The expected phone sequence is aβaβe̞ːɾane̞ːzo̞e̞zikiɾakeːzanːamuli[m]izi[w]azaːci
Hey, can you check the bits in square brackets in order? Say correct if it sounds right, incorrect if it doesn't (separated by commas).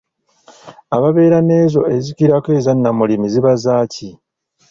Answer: correct, incorrect